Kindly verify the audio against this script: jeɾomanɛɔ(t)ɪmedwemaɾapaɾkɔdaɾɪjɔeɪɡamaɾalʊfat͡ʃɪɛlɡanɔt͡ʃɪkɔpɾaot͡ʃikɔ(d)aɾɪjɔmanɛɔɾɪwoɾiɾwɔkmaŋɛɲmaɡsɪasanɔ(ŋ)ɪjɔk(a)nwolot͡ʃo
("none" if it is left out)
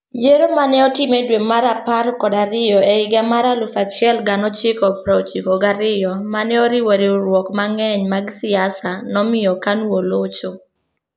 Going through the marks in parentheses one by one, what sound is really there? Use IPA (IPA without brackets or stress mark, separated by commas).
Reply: t, ɡ, m, a